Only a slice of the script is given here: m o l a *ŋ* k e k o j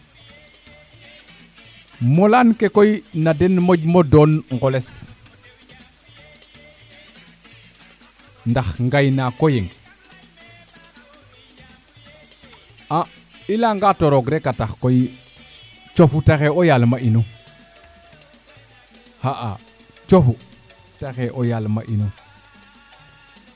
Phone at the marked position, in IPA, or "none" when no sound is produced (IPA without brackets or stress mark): n